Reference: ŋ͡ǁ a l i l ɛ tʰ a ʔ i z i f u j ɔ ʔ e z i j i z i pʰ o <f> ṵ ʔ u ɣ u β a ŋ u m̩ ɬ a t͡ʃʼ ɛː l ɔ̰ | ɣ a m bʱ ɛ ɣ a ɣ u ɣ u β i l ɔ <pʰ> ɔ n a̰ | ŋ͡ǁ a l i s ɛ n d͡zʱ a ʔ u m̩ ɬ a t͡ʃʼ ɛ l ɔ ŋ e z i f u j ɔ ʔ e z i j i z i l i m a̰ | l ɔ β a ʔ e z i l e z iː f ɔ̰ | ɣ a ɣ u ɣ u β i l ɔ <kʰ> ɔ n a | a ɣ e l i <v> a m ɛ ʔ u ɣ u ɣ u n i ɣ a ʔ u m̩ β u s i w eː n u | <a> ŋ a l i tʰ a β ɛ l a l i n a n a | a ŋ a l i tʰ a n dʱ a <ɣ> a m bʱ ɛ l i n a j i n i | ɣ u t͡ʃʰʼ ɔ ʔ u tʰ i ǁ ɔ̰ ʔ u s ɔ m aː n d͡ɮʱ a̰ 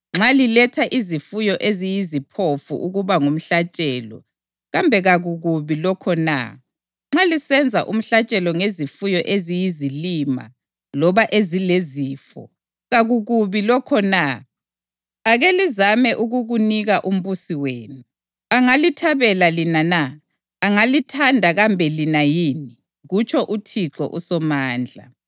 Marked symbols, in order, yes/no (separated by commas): yes, no, yes, no, yes, yes